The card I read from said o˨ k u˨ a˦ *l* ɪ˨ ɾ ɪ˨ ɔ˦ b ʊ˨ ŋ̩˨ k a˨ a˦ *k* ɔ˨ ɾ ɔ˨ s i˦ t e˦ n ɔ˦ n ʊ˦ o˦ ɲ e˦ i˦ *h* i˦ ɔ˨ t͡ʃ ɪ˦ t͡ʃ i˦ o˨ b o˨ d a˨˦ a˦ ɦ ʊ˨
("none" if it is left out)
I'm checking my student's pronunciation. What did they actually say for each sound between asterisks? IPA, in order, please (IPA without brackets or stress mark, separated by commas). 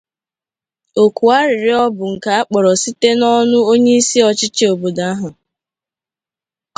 ɾ, k͡p, s